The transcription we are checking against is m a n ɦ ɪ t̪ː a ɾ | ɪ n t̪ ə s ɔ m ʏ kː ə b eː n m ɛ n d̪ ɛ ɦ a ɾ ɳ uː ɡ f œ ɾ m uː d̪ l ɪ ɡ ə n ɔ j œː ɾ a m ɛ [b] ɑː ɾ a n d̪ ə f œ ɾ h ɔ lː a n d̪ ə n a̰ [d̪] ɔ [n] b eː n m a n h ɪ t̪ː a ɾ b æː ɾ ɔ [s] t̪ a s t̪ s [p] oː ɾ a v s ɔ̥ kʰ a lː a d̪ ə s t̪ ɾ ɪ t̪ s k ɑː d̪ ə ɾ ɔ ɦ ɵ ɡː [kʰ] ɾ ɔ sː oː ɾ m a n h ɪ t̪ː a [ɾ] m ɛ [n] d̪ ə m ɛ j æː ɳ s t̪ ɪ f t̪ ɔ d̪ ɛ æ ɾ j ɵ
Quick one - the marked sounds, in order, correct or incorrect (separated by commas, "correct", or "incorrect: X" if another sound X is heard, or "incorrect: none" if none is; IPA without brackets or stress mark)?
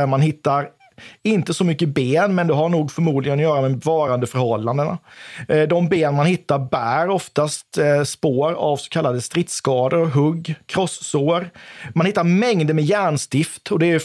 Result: incorrect: v, correct, incorrect: m, incorrect: f, correct, correct, correct, incorrect: ŋ